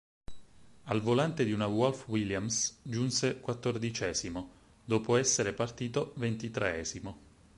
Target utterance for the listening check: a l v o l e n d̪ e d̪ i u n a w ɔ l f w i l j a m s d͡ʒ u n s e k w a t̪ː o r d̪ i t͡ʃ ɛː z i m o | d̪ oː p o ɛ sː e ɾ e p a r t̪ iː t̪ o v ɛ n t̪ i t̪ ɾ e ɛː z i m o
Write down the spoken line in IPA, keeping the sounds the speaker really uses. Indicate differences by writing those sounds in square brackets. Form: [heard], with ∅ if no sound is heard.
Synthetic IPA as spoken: a l v o l [a] n [t̪] e d̪ i u n a w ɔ l f w i l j a m s d͡ʒ u n s e k w a t̪ː o r d̪ i t͡ʃ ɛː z i m o | d̪ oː p o ɛ sː e ɾ e p a r t̪ iː t̪ o v [e] n t̪ i t̪ ɾ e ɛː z i m o